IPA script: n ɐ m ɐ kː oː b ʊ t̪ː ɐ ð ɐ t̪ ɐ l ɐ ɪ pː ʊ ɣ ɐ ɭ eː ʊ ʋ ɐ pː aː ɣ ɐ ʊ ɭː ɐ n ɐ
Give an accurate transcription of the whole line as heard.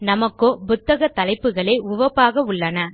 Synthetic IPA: n ɐ m ɐ kː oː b ʊ t̪ː ɐ ɣ ɐ t̪ ɐ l ɐ ɪ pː ɯ ɣ ɐ ɭ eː ʊ ʋ ɐ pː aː ɣ ɐ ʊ ɭː ɐ n ɐ